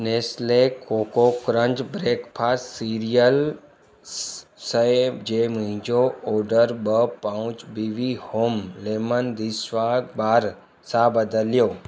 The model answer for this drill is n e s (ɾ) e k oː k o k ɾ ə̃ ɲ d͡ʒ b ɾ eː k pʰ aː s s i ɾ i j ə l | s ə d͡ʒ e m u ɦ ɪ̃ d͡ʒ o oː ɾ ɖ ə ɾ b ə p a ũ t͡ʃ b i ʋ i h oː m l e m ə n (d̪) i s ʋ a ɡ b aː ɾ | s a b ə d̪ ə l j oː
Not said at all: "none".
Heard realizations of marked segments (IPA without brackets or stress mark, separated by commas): l, d̪